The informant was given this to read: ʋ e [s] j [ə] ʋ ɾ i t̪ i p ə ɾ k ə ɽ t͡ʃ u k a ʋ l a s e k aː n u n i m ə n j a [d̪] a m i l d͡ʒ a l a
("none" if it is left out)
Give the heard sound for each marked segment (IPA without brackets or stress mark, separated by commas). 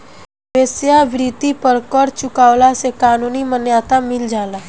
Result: s, a, t̪